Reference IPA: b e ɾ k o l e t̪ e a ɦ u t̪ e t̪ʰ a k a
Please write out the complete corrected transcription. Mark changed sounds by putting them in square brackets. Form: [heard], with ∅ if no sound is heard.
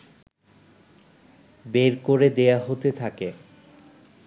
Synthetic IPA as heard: b e ɾ k o [ɾ] e [d̪] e a ɦ [o] t̪ e t̪ʰ a k [e]

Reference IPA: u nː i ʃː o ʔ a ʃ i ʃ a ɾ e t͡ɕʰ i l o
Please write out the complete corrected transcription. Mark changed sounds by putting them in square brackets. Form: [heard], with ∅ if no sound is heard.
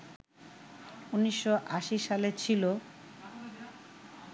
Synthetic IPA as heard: u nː i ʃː o ʔ a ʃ i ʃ a [l] e t͡ɕʰ i l o

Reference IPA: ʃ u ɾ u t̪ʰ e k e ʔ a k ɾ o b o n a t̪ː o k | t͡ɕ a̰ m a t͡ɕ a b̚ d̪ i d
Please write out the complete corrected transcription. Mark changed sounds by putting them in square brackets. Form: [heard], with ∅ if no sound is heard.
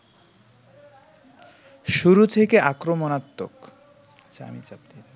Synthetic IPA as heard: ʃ u ɾ u t̪ʰ e k e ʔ a k ɾ o [m] o n a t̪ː o k | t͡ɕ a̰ m [i] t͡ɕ a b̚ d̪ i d

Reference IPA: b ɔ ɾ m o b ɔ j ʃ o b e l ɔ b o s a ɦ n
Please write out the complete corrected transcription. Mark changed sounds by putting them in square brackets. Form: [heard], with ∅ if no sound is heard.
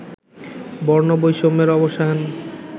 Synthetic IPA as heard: b ɔ ɾ [n] o b [o] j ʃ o [m] e [ɾ] ɔ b o [ʃ] a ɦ n

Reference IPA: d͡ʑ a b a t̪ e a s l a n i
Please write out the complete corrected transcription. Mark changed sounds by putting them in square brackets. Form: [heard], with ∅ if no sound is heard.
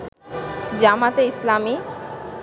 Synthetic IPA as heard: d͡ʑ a [m] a t̪ e [i] s l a [m] i

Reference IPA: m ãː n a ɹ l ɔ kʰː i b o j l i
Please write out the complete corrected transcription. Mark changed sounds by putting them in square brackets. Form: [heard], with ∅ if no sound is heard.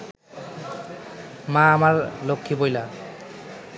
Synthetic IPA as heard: m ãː [m] a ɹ l [o] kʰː i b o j l [a]

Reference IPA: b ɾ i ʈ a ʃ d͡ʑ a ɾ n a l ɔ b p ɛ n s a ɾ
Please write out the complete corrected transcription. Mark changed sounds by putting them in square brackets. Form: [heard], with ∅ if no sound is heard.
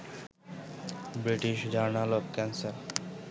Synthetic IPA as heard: b ɾ i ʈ [i] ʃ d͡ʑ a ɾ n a l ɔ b [k] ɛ n s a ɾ

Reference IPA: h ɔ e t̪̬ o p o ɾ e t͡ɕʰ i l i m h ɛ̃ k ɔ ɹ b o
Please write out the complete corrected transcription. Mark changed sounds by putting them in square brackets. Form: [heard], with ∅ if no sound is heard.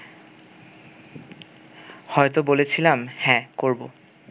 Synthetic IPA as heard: h ɔ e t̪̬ o [b] o [l] e t͡ɕʰ i l [a] m h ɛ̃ k [o] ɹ b o

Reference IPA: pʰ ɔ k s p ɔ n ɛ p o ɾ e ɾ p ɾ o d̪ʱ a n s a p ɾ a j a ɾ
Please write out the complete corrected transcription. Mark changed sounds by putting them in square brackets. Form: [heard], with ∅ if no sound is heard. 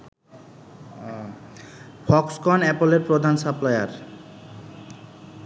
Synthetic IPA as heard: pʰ ɔ k s [k] ɔ n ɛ p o [l] e ɾ p ɾ o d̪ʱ a n s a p [l] a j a ɾ

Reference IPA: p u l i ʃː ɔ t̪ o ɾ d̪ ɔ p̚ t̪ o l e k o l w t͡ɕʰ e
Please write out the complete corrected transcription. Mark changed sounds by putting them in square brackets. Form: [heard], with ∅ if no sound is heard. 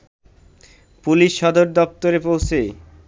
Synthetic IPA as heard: p u l i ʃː ɔ [d̪] o ɾ d̪ ɔ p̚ t̪ o [ɾ] e [p] o [∅] w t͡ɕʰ e

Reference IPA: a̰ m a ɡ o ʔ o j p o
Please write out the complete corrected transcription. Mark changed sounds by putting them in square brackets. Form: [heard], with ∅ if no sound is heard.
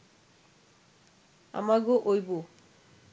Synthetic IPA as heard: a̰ m a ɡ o ʔ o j [b] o

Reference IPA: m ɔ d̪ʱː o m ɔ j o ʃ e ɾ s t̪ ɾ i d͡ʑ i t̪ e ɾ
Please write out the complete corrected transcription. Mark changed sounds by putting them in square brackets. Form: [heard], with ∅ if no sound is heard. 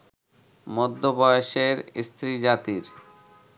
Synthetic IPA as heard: m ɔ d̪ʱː o [b] ɔ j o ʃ e ɾ s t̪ ɾ i d͡ʑ [a] t̪ [i] ɾ

